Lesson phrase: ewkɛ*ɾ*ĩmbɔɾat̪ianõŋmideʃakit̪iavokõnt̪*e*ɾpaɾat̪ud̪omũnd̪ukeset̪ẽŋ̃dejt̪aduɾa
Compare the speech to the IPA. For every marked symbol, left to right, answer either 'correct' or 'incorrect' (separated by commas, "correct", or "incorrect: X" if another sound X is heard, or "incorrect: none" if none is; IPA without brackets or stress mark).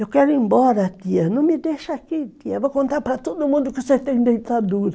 correct, incorrect: a